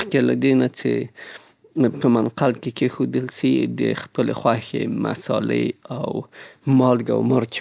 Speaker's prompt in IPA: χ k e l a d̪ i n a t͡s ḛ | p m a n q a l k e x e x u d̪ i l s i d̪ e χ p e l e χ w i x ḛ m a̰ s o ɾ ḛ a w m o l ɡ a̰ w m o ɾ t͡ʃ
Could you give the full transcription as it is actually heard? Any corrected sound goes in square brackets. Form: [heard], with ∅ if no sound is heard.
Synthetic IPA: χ k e l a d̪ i n a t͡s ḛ | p m a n q a l k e [k] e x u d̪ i l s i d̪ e χ p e l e χ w [a] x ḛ m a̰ s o [l] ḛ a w m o l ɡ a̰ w m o ɾ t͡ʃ